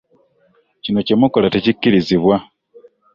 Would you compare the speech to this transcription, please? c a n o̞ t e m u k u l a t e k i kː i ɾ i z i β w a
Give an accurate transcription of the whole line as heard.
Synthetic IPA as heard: c i n o̞ c e m u k o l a t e c i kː i ɾ i z i β w a